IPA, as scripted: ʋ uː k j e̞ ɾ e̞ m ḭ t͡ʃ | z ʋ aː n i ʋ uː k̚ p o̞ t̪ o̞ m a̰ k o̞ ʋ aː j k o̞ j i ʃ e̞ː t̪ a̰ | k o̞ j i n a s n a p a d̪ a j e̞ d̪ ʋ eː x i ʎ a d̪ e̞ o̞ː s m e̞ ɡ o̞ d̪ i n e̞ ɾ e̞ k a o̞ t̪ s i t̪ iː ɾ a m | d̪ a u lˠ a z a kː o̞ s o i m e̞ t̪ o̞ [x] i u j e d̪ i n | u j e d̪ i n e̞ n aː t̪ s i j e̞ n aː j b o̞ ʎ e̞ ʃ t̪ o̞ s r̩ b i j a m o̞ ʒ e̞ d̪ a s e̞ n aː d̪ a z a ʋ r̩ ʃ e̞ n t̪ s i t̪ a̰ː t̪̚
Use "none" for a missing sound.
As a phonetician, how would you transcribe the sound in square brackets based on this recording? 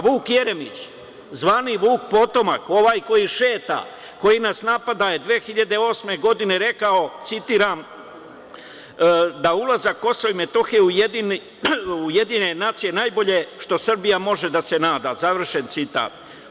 x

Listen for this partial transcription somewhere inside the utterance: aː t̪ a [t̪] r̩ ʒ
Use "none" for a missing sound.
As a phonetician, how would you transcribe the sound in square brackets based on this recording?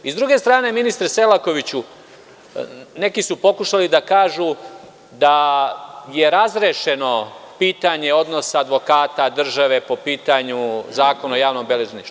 d̪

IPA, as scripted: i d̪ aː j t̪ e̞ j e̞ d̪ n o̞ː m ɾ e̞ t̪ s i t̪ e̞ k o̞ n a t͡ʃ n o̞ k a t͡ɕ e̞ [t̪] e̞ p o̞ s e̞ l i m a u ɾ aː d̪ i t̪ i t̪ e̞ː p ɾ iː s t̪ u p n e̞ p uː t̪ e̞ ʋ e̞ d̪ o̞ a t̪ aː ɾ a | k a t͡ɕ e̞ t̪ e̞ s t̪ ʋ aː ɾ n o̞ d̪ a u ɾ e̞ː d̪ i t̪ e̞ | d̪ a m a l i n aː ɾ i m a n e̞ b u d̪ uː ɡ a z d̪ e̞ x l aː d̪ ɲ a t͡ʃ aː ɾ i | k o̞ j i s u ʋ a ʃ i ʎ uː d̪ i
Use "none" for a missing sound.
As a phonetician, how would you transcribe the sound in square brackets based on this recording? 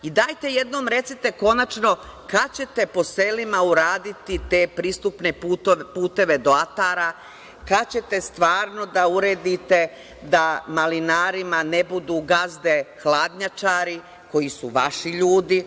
t̪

